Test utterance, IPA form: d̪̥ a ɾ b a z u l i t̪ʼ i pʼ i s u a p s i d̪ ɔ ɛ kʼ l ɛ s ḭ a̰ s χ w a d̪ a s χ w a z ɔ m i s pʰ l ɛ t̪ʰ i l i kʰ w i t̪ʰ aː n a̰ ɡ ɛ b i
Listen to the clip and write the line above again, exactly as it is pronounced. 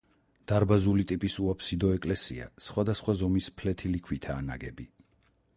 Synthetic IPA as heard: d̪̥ a ɾ b a z u l i t̪ʼ i pʼ i s u a p s i d̪ ɔ ɛ kʼ l ɛ s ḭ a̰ s χ w a d̪ a s χ w a z ɔ m i s pʰ l ɛ t̪ʰ i l i kʰ w i t̪ʰ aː n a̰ ɡ ɛ b i